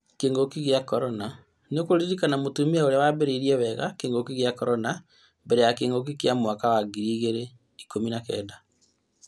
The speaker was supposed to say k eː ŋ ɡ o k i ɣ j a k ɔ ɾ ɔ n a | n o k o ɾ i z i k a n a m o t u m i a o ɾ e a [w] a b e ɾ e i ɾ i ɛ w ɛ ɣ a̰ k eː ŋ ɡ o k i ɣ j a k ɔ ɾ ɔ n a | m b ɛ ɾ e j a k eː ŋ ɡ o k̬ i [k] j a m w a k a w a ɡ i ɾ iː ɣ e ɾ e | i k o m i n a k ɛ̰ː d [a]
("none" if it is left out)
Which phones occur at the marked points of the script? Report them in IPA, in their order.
w, k, a

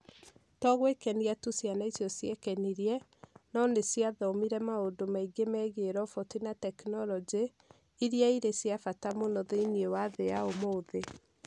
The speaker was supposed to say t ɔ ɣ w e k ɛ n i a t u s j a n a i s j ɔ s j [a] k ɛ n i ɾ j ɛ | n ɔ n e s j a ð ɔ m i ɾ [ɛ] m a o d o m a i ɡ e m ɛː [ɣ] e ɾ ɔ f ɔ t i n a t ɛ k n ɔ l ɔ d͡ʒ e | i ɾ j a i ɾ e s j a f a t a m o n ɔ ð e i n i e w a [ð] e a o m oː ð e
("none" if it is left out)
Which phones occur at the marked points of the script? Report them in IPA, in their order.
ɛ, ɛ, ɣ, ð

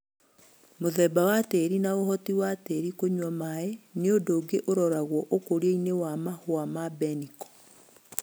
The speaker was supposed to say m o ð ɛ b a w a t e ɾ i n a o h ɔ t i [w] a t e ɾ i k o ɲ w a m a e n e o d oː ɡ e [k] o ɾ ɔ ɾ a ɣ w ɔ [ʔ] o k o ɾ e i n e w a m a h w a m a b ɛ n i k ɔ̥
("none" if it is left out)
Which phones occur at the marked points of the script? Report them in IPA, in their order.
w, ʔ, ʔ

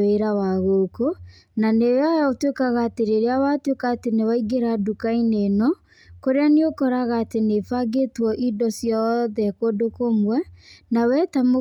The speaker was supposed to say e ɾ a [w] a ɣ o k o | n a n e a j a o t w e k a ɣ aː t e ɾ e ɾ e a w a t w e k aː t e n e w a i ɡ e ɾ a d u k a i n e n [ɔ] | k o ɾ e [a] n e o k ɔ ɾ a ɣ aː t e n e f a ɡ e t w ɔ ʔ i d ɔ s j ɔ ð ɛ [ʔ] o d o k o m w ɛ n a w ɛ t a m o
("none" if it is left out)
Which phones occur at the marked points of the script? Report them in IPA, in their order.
w, ɔ, a, k

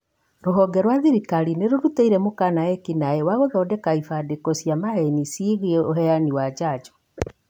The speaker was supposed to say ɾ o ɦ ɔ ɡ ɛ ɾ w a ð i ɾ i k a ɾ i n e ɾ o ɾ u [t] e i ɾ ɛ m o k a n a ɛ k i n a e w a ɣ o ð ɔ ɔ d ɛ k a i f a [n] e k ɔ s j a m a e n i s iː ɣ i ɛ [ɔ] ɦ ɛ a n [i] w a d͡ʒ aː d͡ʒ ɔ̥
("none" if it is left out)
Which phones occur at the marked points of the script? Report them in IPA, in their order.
t, d, o, i

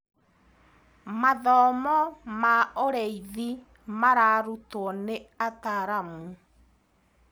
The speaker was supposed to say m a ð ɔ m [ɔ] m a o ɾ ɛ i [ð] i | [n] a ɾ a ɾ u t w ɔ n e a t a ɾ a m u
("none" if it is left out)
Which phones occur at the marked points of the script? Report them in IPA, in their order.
ɔ, ð, m

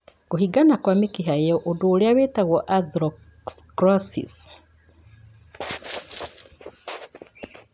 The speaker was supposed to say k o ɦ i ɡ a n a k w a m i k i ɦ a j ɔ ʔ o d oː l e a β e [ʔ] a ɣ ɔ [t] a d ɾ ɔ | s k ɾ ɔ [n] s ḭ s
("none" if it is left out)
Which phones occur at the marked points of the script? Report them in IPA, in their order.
t, ʔ, none

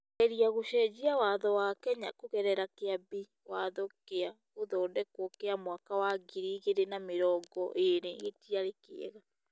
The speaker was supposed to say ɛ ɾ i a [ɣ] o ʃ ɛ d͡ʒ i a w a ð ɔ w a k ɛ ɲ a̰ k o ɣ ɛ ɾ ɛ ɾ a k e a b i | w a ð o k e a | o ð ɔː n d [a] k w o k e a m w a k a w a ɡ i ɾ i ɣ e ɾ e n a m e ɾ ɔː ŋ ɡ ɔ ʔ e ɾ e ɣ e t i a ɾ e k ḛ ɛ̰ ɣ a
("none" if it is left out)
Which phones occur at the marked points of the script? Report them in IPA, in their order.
ɣ, ɛ

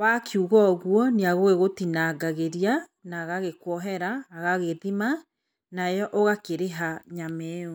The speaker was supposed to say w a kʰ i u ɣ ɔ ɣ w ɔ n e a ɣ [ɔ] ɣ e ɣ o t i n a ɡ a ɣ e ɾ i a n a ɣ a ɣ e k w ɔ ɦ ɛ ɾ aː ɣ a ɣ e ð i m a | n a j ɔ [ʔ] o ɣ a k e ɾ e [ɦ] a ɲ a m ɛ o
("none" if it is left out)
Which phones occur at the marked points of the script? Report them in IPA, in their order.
o, ʔ, ɦ

